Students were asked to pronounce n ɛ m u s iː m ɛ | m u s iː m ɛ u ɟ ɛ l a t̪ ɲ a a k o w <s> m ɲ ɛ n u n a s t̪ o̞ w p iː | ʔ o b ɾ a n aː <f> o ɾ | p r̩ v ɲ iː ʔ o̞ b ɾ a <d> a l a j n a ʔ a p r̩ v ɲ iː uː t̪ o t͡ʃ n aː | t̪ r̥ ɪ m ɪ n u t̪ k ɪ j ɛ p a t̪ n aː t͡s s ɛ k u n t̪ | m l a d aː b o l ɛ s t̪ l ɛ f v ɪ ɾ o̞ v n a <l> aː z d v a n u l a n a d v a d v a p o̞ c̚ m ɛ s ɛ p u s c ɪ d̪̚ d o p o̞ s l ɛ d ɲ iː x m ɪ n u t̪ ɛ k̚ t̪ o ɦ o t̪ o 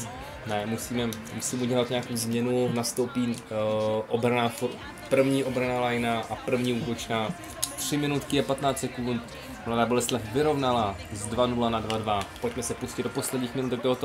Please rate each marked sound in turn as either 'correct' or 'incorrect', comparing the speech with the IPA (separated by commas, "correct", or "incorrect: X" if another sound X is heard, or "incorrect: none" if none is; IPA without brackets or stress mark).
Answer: incorrect: z, correct, incorrect: n, correct